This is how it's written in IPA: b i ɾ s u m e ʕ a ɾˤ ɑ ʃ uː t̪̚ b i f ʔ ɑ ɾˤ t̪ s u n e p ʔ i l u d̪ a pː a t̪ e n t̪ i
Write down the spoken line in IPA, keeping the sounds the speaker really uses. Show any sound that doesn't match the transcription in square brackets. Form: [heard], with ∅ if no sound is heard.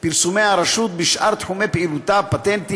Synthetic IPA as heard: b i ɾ s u m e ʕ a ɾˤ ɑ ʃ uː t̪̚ b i [ʃ] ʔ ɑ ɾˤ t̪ [ħ] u [m] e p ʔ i l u [t̪] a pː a t̪ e n t̪ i